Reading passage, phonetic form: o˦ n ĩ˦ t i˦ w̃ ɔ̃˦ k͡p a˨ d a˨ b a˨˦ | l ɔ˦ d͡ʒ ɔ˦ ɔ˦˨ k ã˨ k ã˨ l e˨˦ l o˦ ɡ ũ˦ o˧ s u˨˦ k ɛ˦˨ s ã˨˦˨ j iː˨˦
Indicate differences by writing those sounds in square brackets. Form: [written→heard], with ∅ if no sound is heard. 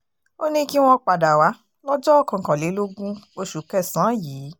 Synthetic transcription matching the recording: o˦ n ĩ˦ [t→k] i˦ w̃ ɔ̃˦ k͡p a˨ d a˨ [b→w] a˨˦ | l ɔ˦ d͡ʒ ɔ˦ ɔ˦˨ k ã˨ k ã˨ l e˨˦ l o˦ ɡ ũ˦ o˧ [s→ʃ] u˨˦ k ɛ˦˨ s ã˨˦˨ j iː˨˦

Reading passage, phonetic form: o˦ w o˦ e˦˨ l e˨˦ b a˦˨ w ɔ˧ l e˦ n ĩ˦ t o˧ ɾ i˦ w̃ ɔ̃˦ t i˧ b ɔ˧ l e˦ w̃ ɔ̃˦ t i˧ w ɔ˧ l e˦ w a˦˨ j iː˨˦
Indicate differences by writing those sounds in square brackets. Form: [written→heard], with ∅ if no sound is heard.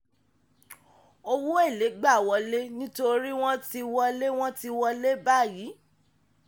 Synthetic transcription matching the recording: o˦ w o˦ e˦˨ l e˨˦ [b→ɡ͡b] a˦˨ w ɔ˧ l e˦ n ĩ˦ t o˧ ɾ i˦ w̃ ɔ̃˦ t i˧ [b→w] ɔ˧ l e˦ w̃ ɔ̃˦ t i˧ w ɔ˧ l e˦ [w→b] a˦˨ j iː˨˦

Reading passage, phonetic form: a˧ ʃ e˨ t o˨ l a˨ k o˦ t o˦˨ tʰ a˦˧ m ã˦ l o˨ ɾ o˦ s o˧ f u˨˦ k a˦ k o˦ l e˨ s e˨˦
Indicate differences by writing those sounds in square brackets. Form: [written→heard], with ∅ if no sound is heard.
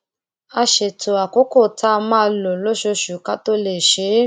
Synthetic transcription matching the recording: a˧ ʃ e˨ t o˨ [l→∅] a˨ k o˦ [t→k] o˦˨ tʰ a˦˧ m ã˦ l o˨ [ɾ→l] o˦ [s→ʃ] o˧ [f→ʃ] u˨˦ k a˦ [k→t] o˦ l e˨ [s→ʃ] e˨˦

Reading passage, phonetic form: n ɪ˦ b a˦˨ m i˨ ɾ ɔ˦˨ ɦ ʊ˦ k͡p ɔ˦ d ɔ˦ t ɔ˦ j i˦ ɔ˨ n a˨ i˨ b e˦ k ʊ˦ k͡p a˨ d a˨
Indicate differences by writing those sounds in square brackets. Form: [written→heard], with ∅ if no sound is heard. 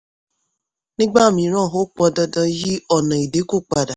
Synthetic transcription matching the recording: n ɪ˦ [b→ɡ͡b] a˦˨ m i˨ ɾ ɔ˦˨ ɦ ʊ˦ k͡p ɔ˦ d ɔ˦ [t→d] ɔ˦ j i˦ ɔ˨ n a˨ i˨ [b→d] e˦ k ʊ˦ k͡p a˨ d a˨

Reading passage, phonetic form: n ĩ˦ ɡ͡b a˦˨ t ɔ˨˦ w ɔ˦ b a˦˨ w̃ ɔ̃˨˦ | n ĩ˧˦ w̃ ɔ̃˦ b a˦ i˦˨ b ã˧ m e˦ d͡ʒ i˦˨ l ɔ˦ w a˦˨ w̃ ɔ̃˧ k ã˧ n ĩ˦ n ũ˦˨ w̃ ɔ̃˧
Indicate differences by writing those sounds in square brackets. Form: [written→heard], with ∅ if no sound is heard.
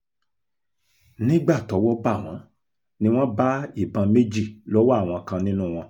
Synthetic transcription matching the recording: n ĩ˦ ɡ͡b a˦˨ t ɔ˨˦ w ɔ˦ b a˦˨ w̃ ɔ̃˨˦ | n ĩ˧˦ w̃ ɔ̃˦ b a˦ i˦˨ b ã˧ m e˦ d͡ʒ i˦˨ l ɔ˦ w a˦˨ w̃ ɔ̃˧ k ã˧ n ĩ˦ n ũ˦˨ w̃ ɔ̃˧

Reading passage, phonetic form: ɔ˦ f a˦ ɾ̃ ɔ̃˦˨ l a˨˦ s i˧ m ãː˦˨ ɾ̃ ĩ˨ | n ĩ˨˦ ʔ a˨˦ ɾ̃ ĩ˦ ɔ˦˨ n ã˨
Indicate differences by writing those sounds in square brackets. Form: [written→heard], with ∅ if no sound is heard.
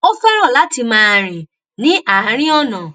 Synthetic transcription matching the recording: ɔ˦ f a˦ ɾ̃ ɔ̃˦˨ l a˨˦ [s→t] i˧ m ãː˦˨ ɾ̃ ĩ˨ | n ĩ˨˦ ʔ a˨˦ ɾ̃ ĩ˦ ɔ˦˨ n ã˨

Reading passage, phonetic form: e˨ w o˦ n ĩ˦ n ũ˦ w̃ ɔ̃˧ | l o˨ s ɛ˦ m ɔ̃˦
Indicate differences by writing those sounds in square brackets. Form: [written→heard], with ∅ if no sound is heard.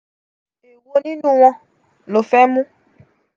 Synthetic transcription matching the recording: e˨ w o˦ n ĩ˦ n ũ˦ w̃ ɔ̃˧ | l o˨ [s→f] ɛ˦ m [ɔ̃˦→ũ˦]

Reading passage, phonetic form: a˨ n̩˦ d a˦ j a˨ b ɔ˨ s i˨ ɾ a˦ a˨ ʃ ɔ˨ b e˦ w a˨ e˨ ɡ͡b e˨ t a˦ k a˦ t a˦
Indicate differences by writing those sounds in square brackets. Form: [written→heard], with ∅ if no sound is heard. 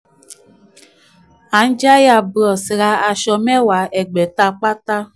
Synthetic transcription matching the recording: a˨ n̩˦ [d→d͡ʒ] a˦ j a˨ b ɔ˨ s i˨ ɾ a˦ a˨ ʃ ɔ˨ [b→m] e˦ w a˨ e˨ ɡ͡b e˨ t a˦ [k→k͡p] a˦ t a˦

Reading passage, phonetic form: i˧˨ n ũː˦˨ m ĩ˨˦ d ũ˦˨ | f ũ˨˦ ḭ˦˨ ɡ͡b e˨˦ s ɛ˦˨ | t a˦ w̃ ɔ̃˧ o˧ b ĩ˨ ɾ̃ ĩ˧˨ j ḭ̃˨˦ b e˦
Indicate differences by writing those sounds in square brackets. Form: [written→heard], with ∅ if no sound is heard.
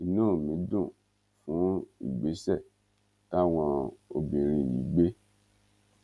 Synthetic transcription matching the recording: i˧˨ n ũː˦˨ m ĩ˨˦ d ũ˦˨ | f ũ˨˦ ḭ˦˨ ɡ͡b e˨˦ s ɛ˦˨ | t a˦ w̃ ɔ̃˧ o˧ b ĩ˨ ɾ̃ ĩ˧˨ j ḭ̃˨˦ [b→ɡ͡b] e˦

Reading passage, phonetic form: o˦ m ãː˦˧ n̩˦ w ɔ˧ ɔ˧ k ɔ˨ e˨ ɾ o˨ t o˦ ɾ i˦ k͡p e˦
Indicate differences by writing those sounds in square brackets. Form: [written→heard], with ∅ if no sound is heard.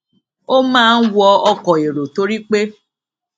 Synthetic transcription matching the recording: o˦ m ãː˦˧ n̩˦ w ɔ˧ ɔ˧ k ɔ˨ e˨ ɾ o˨ t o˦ ɾ i˦ k͡p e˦

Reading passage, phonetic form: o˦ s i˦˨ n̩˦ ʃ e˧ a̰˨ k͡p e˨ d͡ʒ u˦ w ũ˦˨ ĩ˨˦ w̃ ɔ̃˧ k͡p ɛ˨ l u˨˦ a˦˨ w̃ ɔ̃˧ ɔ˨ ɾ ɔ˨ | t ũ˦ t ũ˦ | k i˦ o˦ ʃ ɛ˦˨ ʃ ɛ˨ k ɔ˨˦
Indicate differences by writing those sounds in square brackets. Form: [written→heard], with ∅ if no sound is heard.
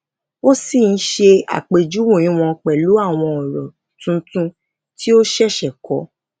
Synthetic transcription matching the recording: o˦ s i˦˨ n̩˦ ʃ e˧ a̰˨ k͡p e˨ d͡ʒ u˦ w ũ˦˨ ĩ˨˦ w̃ ɔ̃˧ k͡p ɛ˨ l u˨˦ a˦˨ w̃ ɔ̃˧ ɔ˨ ɾ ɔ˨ | t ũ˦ t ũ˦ | [k→t] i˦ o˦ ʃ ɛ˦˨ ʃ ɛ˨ k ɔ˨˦

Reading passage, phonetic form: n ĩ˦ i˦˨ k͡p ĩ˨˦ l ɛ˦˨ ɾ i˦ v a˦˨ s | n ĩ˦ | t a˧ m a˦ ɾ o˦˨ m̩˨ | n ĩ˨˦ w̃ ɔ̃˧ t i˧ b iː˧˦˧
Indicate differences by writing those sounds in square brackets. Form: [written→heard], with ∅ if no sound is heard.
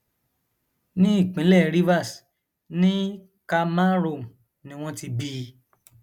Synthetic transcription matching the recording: n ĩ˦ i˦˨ k͡p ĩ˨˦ l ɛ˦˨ ɾ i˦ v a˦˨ s | n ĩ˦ | [t→k] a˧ m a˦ ɾ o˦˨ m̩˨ | n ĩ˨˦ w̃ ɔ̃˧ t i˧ b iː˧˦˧

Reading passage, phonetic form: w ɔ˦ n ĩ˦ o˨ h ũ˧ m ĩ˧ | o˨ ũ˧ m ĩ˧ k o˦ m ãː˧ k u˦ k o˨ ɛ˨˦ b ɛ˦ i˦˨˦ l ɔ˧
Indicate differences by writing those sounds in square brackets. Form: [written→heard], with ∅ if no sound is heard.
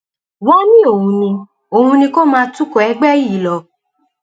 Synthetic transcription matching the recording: w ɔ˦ n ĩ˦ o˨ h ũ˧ [m→n] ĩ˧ | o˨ ũ˧ [m→n] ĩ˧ k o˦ m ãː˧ [k→t] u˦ k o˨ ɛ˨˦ [b→ɡ͡b] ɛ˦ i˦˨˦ l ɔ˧

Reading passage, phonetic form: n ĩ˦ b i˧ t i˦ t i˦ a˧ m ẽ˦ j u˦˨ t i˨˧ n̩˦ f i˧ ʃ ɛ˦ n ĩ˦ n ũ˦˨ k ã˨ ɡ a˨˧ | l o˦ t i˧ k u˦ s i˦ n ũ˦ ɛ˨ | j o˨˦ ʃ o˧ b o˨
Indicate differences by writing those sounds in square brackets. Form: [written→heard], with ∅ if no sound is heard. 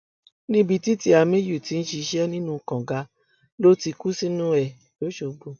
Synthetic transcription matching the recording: n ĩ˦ b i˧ t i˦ t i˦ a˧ m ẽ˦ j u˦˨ t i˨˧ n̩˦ [f→ʃ] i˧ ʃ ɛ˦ n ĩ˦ n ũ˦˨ k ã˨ ɡ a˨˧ | l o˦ t i˧ k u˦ s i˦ n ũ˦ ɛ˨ | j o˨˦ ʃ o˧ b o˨

